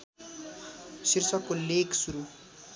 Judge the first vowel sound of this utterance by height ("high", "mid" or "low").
high